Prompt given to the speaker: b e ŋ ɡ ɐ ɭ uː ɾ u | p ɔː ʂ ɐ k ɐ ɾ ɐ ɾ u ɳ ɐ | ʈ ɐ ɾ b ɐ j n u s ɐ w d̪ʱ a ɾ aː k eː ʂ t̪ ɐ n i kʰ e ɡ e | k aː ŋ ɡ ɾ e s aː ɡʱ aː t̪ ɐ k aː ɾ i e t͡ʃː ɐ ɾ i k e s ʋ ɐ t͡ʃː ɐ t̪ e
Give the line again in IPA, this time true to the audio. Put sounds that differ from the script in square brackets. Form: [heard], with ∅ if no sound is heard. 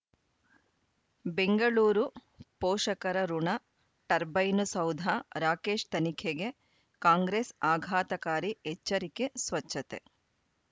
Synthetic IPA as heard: b e ŋ ɡ ɐ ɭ uː ɾ u | p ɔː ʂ ɐ k ɐ ɾ ɐ ɾ u ɳ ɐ | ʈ ɐ ɾ b ɐ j n u s ɐ w d̪ʱ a ɾ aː k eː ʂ t̪ ɐ n i kʰ e ɡ e | k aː ŋ ɡ ɾ e s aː ɡʱ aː t̪ ɐ k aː ɾ i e t͡ʃː ɐ ɾ i k e s ʋ ɐ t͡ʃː ɐ t̪ e